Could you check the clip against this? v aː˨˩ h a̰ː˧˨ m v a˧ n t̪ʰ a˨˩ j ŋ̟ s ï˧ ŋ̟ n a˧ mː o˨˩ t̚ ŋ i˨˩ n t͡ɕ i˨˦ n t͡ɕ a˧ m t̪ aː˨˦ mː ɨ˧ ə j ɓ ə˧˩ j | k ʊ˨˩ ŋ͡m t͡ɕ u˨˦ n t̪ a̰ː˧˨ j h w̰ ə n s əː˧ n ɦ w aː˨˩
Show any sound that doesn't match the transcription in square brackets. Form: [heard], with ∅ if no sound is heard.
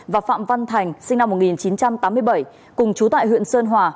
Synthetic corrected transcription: v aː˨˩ [f] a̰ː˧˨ m v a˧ n t̪ʰ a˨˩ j ŋ̟ s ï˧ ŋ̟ n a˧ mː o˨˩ t̚ ŋ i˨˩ n t͡ɕ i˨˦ n t͡ɕ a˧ m t̪ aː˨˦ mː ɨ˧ ə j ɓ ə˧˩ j | k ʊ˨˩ ŋ͡m t͡ɕ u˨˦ [∅] t̪ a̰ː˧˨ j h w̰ ə n s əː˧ n ɦ w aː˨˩